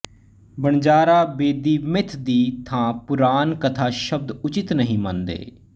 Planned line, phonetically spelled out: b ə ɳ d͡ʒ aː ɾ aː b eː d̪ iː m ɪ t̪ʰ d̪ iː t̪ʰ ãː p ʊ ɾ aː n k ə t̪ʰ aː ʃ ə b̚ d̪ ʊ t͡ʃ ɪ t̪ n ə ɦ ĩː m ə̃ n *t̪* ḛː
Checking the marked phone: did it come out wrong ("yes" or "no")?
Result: yes